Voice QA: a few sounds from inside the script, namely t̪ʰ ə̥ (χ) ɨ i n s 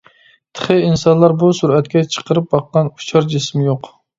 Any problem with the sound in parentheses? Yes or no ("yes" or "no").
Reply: no